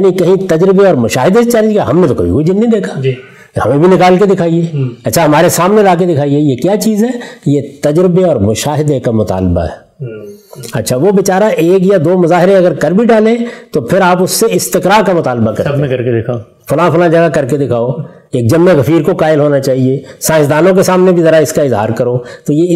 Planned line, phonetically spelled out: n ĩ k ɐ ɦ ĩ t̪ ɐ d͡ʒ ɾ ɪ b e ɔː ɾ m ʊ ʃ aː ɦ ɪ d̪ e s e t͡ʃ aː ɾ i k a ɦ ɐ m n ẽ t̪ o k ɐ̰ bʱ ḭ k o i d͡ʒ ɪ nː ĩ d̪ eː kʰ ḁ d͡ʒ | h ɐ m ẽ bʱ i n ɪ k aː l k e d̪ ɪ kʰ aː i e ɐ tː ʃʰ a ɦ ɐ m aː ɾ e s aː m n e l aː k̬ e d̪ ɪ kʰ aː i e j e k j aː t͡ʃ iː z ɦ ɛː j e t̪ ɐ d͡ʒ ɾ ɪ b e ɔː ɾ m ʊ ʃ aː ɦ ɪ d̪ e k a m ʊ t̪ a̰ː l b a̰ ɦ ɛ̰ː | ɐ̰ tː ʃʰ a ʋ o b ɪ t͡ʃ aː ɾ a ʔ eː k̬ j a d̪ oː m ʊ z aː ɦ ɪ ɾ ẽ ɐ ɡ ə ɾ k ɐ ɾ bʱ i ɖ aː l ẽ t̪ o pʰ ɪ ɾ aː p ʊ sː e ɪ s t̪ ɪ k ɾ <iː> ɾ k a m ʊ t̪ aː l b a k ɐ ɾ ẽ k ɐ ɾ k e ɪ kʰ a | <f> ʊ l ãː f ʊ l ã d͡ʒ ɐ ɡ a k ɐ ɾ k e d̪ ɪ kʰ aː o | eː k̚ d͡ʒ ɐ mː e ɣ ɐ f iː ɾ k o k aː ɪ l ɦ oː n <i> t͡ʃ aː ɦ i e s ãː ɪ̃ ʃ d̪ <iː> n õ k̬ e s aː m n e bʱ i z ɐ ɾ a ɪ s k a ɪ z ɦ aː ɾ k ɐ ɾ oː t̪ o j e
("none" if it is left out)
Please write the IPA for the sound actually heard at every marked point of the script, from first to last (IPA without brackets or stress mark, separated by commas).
aː, f, a, aː